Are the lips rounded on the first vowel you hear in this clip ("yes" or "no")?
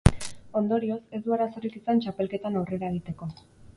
yes